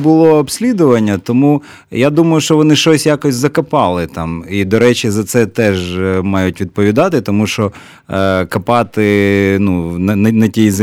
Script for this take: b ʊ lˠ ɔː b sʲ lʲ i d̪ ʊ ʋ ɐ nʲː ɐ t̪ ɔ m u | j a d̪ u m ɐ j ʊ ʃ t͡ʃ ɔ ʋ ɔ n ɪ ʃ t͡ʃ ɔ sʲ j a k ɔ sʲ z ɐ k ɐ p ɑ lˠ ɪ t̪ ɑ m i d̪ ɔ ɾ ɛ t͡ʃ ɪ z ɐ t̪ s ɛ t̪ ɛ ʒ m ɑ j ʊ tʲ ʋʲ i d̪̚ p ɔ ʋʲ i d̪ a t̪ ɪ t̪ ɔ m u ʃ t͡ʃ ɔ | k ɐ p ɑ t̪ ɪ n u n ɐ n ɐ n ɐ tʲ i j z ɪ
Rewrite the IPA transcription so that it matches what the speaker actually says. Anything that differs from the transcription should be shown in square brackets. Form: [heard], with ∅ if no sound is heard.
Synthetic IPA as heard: b ʊ lˠ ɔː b sʲ lʲ i d̪ ʊ ʋ ɐ nʲː ɐ t̪ ɔ m u | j a d̪ u m ɐ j ʊ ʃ t͡ʃ ɔ ʋ ɔ n ɪ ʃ t͡ʃ ɔ sʲ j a k ɔ sʲ z ɐ k ɐ p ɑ lˠ ɪ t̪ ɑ m i d̪ ɔ ɾ ɛ t͡ʃ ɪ z ɐ t̪ s ɛ t̪ ɛ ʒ m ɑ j ʊ tʲ ʋʲ i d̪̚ p ɔ ʋʲ i d̪ [ɑ] t̪ ɪ t̪ ɔ m u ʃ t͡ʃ ɔ | k ɐ p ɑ t̪ ɪ n u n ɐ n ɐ n ɐ tʲ i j z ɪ